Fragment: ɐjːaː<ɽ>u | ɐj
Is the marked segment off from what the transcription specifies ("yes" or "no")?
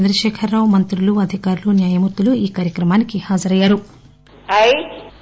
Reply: yes